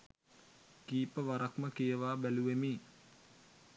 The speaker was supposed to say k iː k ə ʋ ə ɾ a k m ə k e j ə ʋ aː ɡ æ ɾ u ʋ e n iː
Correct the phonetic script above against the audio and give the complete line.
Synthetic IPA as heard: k iː p ə ʋ a ɾ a k m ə k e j ə ʋ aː b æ l u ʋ e m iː